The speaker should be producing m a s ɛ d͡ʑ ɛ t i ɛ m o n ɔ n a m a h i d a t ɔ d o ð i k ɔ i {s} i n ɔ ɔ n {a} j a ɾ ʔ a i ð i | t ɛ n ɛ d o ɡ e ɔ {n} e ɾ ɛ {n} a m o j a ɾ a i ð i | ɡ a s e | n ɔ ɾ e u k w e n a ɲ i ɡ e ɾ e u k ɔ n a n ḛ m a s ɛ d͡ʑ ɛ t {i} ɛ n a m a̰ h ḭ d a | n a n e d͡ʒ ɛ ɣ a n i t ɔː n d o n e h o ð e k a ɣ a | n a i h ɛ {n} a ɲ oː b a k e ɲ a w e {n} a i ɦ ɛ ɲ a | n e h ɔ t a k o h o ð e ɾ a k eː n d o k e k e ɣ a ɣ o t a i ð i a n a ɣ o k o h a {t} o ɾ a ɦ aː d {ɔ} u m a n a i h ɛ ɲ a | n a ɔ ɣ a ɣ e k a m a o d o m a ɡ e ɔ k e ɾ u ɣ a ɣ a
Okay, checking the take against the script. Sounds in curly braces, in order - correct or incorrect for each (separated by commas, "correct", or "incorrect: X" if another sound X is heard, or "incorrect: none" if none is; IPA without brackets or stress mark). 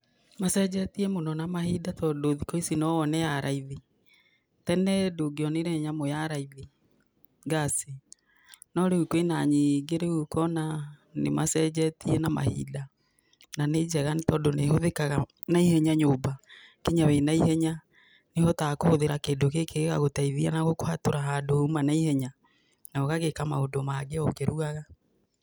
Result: correct, incorrect: ɛ, correct, incorrect: ɲ, correct, incorrect: ɲ, correct, correct, incorrect: o